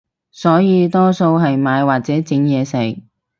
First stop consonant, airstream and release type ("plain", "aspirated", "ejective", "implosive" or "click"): plain